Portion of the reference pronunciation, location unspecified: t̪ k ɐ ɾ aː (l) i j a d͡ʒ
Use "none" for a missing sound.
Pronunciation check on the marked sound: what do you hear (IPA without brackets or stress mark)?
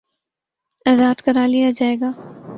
l